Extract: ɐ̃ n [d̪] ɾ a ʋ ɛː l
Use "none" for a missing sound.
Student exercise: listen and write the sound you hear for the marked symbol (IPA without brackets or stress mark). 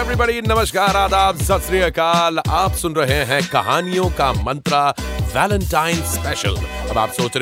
t̪